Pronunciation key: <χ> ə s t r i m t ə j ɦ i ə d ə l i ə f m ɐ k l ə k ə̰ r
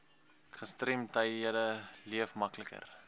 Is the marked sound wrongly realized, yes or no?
no